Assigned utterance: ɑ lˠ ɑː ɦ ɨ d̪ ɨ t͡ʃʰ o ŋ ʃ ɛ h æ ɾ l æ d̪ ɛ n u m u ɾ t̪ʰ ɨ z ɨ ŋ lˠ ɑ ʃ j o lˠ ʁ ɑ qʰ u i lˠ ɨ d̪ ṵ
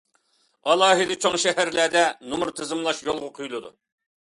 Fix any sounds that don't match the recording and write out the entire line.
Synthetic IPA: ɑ lˠ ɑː ɦ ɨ d̪ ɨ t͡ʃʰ o ŋ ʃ ɛ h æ ɾ l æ d̪ ɛ n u m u ɾ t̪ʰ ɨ z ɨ m lˠ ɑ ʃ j o lˠ ʁ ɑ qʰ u j lˠ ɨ d̪ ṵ